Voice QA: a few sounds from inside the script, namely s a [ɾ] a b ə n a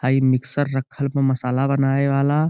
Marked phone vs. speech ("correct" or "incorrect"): incorrect